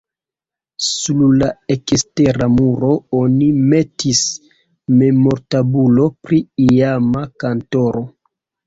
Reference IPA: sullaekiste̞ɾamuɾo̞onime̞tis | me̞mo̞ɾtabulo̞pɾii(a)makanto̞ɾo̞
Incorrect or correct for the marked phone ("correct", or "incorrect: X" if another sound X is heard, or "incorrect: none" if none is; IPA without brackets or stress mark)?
correct